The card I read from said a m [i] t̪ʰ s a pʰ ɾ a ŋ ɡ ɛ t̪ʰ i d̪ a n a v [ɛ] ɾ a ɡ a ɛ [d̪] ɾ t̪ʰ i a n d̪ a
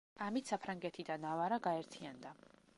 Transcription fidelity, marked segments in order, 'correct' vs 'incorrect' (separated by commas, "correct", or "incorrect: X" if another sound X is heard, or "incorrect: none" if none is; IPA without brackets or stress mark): correct, incorrect: a, incorrect: none